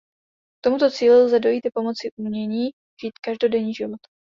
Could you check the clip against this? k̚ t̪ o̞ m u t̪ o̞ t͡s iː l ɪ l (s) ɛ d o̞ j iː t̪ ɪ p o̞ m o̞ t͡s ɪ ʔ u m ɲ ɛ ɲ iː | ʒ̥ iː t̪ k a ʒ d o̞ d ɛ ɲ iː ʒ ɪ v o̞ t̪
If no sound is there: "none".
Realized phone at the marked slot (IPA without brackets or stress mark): z